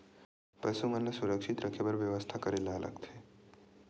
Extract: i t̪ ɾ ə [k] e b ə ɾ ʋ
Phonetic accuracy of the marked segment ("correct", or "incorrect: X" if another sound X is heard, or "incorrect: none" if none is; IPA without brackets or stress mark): incorrect: kʰ